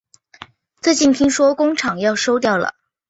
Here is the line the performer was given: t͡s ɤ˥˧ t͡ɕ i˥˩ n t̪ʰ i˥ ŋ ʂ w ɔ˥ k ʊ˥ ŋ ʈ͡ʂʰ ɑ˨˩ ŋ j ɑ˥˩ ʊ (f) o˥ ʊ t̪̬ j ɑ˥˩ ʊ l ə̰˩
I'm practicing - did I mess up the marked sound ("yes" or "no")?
yes